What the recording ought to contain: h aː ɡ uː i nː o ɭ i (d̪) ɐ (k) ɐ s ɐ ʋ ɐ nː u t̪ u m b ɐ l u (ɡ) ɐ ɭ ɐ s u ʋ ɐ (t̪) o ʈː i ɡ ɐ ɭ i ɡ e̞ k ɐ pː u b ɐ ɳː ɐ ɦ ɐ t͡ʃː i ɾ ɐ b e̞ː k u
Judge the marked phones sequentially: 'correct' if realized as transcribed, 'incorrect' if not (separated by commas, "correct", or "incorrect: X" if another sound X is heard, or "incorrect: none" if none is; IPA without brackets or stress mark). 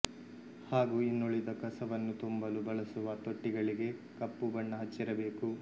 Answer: correct, correct, incorrect: b, correct